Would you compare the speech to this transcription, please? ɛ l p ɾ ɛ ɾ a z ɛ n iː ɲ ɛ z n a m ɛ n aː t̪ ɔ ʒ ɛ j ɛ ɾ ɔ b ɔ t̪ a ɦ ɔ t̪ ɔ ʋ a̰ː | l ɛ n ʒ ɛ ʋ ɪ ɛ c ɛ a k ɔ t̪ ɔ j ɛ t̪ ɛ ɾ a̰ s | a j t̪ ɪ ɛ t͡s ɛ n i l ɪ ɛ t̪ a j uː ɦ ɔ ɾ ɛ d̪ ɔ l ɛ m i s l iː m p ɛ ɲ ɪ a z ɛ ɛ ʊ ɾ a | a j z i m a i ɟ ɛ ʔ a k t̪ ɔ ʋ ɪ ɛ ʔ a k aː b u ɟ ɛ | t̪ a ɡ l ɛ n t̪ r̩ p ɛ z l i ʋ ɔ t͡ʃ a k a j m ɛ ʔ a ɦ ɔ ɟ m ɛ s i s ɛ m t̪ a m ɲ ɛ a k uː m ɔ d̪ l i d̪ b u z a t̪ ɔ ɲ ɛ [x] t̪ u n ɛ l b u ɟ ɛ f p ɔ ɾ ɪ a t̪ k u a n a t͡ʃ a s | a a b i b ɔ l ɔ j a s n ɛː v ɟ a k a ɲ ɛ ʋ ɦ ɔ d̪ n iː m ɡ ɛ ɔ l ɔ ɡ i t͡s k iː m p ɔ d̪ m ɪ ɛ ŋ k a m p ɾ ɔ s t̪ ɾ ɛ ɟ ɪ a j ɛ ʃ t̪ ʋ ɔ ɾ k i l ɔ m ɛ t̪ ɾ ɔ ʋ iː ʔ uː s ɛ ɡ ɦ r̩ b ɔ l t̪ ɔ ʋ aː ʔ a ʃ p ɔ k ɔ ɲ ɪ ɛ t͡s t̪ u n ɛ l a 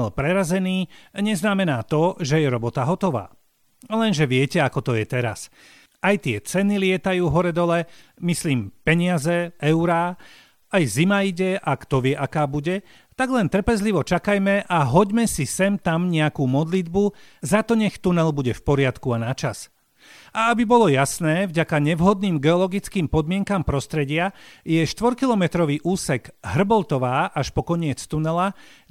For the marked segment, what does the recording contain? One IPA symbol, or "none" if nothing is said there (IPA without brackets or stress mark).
x